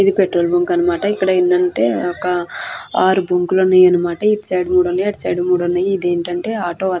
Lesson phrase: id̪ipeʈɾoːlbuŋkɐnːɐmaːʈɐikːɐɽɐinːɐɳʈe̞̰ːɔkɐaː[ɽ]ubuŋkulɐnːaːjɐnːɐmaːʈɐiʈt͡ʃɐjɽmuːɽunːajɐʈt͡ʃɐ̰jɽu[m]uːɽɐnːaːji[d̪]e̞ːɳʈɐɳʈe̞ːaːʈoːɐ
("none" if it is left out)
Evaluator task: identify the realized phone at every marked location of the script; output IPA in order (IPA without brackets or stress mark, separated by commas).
ɾ, m, d̪